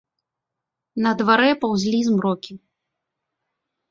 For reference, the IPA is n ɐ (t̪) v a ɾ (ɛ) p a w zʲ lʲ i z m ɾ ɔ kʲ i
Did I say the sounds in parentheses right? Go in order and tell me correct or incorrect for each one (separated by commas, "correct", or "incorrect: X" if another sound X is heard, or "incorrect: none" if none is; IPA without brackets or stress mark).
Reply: incorrect: d̪, correct